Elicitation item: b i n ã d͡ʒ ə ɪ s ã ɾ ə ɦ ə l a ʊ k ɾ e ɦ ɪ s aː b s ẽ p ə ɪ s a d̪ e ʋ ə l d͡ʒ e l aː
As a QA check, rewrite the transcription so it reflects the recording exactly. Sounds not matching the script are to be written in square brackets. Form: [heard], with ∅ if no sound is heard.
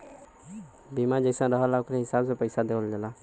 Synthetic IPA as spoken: b i [m] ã d͡ʒ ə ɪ s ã ɾ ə ɦ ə l a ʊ k ɾ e ɦ ɪ s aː b s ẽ p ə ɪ s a d̪ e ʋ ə l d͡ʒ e l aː